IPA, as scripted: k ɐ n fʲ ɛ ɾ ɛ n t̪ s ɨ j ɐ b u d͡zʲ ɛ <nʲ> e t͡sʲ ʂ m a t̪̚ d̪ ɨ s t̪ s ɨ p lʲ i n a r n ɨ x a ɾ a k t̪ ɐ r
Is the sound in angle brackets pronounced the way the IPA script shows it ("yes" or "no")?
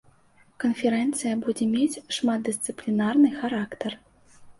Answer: no